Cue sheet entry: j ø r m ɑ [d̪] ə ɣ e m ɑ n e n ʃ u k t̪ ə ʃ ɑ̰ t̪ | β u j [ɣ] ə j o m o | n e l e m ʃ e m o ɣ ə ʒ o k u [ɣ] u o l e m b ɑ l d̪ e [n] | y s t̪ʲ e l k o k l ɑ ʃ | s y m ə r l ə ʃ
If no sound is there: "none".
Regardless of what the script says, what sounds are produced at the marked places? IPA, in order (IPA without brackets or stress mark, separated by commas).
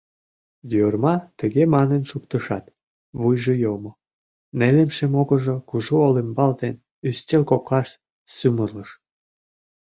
t̪, ʒ, ʒ, n